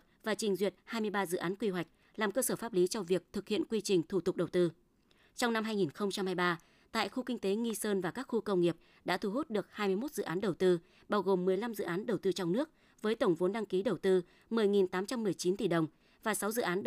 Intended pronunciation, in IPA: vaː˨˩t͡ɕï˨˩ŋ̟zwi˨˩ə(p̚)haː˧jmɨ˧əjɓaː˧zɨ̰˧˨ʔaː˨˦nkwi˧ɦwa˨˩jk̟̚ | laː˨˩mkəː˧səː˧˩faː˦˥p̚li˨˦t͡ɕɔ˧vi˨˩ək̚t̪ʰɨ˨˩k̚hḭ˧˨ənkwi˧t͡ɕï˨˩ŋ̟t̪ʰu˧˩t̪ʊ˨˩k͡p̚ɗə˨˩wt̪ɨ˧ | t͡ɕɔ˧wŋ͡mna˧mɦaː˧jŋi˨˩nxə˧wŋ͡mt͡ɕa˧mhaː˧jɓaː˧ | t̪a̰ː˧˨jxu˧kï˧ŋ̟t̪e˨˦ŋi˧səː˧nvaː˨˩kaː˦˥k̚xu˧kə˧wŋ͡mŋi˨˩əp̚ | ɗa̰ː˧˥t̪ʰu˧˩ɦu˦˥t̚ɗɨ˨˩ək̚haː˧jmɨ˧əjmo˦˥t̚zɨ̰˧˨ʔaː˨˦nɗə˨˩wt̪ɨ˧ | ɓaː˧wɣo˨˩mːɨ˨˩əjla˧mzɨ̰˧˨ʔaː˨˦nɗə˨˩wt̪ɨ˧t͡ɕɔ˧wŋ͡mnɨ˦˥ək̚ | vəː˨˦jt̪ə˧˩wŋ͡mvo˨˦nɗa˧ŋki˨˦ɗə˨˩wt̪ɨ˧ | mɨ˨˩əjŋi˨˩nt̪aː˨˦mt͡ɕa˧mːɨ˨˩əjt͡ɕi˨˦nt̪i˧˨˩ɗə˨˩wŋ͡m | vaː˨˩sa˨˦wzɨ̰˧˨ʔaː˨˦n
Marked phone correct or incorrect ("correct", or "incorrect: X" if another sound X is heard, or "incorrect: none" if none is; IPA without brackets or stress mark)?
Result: incorrect: t̚